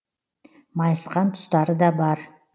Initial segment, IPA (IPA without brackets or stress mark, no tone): m